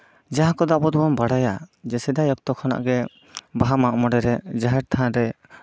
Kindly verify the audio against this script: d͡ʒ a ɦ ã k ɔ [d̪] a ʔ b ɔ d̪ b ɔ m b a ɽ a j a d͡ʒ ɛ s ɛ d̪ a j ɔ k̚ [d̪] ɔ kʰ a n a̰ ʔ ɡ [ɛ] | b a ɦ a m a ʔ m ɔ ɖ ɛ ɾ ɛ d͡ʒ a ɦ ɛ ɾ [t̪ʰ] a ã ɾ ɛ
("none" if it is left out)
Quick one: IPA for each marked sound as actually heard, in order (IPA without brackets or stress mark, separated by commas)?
d̪, t̪, ɛ, t̪ʰ